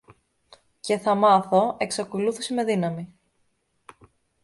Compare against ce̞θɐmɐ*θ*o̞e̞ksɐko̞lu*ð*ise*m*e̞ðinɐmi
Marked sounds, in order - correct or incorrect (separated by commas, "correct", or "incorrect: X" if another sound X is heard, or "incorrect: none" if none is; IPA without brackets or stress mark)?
correct, incorrect: θ, correct